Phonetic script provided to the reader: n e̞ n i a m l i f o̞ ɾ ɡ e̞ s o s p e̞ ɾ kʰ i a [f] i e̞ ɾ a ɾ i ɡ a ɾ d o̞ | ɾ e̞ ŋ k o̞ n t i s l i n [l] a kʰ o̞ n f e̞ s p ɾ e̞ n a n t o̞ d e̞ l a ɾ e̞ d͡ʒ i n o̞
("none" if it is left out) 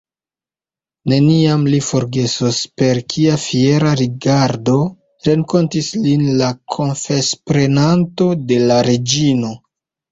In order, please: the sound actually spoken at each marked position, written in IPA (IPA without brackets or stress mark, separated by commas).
f, l